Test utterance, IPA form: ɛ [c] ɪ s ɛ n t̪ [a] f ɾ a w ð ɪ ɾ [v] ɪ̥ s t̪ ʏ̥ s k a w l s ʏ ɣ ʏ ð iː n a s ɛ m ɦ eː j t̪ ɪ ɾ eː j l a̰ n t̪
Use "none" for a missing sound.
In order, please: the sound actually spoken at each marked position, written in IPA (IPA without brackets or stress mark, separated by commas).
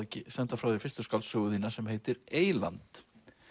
c, a, f